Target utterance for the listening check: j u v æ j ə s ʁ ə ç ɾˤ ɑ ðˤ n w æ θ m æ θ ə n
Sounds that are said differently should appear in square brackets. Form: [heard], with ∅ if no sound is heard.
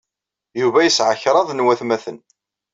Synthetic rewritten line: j u v æ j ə s [ʕ] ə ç ɾˤ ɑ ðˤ n w æ θ m æ θ ə n